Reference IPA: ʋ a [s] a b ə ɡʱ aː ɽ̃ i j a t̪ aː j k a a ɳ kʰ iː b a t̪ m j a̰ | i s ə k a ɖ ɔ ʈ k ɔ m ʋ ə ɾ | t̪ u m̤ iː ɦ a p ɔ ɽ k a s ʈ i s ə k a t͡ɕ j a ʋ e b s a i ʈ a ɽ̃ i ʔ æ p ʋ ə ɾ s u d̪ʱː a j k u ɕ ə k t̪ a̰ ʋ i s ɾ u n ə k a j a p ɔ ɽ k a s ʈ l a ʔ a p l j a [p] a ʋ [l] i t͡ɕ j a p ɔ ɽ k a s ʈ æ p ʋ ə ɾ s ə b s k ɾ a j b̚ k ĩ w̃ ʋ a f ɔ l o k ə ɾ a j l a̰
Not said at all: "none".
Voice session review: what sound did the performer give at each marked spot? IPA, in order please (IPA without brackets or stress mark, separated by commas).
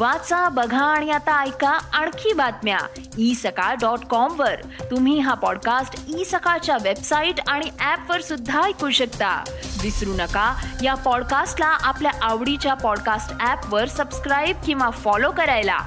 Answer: t͡s, ʔ, ɽ